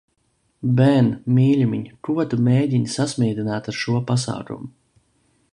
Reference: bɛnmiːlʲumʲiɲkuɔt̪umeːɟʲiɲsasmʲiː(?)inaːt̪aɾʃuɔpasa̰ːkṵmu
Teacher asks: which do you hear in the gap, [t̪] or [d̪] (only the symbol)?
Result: d̪